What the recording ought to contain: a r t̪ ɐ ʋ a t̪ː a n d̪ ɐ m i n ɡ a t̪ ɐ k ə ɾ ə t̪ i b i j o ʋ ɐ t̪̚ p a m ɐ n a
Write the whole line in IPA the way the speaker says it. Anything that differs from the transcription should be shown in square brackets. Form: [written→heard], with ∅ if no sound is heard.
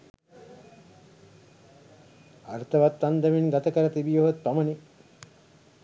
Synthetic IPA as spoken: a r t̪ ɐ ʋ a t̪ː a n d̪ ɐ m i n ɡ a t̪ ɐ k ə ɾ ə t̪ i b i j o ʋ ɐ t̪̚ p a m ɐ n [a→i]